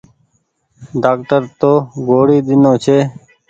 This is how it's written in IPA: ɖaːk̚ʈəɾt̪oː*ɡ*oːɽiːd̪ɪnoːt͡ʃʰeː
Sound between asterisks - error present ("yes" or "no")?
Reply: no